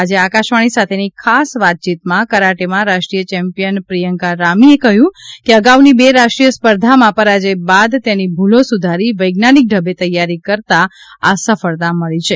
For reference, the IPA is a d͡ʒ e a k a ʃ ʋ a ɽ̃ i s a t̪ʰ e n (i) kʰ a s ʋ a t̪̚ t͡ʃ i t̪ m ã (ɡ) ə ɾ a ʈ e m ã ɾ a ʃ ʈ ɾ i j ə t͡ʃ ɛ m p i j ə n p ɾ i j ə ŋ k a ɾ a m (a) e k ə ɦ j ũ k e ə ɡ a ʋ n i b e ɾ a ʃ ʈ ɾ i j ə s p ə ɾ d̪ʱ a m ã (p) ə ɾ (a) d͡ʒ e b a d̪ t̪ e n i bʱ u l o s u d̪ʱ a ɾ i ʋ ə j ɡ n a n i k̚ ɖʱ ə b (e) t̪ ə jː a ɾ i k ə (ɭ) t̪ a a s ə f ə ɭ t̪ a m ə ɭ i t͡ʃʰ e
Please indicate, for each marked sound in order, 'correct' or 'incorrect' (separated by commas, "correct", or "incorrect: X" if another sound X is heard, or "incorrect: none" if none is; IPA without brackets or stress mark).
correct, incorrect: k, incorrect: i, correct, correct, correct, incorrect: ɾ